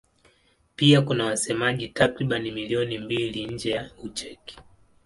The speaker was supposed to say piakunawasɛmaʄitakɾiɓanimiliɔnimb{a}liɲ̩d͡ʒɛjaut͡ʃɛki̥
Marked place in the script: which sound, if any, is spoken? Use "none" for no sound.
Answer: i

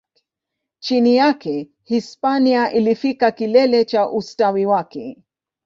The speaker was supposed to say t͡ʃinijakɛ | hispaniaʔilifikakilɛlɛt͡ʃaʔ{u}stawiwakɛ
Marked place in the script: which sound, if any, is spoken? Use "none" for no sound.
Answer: u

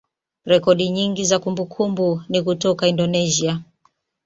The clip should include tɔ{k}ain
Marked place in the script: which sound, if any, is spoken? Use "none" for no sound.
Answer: k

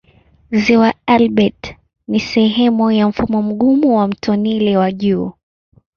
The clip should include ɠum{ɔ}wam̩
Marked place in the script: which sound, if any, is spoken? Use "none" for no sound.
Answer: u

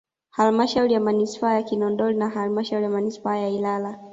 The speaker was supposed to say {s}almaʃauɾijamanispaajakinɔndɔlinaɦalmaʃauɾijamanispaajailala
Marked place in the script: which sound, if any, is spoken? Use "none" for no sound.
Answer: h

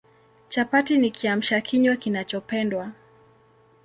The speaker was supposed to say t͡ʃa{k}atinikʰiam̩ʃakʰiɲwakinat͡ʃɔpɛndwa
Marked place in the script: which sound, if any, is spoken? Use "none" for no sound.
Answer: p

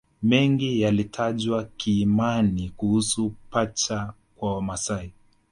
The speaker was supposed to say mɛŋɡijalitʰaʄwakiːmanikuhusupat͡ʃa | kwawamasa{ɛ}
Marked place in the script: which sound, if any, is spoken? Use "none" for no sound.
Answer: i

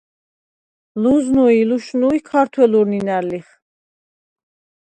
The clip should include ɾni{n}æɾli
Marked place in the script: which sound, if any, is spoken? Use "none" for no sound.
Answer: n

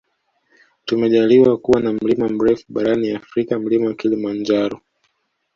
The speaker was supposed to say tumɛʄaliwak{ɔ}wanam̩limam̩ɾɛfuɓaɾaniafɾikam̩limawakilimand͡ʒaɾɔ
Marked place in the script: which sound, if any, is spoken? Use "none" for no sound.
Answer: u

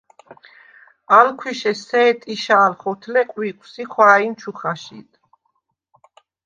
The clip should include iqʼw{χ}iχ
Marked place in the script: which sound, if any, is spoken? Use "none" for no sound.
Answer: s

